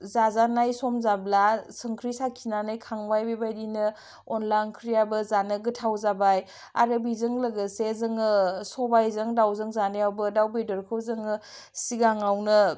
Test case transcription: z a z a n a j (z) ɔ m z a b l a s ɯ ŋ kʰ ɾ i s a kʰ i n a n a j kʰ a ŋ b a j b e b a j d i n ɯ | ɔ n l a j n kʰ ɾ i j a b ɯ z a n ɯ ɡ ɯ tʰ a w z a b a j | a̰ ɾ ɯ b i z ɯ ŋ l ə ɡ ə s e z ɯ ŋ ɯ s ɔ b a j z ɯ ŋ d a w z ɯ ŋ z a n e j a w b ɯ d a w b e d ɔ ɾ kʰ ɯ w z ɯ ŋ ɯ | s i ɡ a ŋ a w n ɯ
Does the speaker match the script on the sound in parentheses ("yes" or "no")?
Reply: no